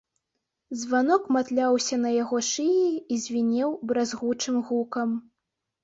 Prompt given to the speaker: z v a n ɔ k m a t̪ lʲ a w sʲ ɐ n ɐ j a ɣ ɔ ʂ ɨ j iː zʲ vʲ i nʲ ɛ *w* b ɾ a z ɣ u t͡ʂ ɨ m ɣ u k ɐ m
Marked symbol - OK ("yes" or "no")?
yes